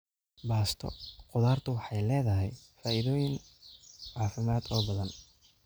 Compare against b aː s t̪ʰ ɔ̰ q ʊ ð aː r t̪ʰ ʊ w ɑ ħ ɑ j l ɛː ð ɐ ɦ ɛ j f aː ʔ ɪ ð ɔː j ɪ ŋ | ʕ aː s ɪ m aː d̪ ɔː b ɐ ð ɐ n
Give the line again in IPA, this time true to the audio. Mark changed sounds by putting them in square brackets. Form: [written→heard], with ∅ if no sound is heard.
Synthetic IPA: b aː s t̪ʰ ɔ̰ q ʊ ð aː r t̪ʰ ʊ w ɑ ħ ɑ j l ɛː ð ɐ ɦ ɛ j f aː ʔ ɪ ð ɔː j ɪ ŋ | ʕ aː [s→f] ɪ m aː d̪ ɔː b ɐ ð ɐ n